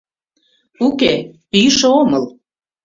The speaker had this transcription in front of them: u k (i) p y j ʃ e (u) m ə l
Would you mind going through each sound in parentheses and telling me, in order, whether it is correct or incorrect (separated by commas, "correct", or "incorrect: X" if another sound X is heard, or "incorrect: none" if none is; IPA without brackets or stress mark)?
incorrect: e, incorrect: o